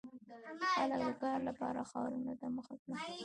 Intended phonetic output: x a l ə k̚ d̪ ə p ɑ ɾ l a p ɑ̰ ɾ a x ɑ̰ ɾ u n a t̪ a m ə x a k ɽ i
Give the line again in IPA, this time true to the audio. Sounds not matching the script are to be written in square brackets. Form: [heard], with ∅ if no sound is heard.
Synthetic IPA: x a l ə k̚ d̪ ə [k] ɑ ɾ l a p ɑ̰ ɾ a x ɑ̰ ɾ u n a t̪ a m ə x a k ɽ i